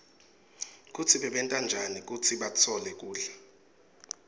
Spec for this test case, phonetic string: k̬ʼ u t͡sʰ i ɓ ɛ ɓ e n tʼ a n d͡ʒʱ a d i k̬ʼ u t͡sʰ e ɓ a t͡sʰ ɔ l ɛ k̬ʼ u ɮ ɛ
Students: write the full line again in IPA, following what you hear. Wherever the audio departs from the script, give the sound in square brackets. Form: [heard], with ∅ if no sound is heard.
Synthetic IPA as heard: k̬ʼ u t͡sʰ i ɓ ɛ ɓ [ɛ] n tʼ a n d͡ʒʱ a [n] i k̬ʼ u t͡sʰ [i] ɓ a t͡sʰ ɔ l ɛ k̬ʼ [uː] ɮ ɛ